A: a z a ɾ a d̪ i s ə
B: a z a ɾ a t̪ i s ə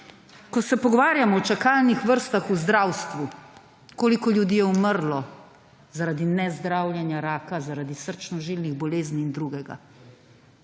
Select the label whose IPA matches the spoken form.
A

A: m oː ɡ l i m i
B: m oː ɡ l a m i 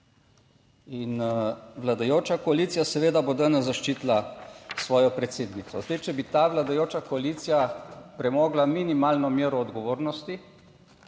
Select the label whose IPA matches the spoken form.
B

